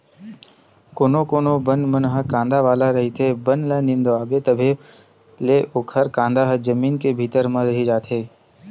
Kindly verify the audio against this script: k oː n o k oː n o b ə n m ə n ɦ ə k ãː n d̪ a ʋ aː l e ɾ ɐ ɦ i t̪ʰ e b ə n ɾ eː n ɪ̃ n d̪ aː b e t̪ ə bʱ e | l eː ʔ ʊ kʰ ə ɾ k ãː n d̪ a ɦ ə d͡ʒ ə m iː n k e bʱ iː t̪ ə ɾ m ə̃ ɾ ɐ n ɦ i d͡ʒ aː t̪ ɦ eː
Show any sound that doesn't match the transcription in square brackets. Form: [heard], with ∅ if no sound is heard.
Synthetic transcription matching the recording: k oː n o k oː n o b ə n m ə n ɦ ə k ãː n d̪ a ʋ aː l [a] ɾ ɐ ɦ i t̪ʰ e b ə n [l] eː n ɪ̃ n d̪ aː b e t̪ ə bʱ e | l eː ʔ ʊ kʰ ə ɾ k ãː n d̪ a ɦ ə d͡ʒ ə m iː n k e bʱ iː t̪ ə ɾ m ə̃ ɾ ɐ [∅] ɦ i d͡ʒ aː t̪ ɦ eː